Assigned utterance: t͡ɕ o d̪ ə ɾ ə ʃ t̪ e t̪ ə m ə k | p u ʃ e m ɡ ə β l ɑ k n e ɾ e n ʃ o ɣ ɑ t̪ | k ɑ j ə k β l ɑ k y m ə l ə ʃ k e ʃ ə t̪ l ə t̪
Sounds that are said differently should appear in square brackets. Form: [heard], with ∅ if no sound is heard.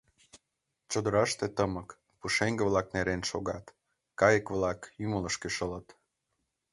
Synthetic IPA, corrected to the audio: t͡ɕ o d̪ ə ɾ [ɑ] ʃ t̪ e t̪ ə m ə k | p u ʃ e [ŋ] ɡ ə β l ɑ k n e ɾ e n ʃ o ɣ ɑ t̪ | k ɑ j ə k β l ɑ k y m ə l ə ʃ k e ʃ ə [∅] l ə t̪